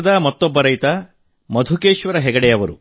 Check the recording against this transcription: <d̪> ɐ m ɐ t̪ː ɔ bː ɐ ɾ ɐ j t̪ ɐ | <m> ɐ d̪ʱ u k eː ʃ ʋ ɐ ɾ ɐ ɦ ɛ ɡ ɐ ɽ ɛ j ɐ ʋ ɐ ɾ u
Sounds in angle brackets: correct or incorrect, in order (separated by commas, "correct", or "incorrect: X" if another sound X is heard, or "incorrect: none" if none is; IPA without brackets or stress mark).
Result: correct, correct